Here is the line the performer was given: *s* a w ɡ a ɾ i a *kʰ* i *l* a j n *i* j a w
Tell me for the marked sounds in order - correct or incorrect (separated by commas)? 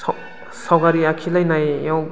correct, correct, correct, incorrect